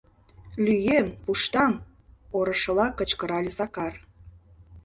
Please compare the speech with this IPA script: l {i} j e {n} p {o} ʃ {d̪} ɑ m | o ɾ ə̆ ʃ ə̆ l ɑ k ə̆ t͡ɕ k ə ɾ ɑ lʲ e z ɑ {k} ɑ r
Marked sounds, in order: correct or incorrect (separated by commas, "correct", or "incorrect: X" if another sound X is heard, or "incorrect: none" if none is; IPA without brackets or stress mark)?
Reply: incorrect: y, incorrect: m, incorrect: u, incorrect: t̪, correct